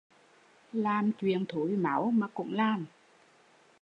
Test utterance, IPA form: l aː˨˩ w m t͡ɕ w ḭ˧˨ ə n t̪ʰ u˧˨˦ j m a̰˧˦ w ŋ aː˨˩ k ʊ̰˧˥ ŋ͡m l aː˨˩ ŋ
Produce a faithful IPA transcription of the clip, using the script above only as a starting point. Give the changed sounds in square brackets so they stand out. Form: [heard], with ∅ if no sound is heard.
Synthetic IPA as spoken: l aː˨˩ [∅] m t͡ɕ w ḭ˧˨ ə n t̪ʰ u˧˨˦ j m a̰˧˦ w [m] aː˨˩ k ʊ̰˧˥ ŋ͡m l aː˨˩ [m]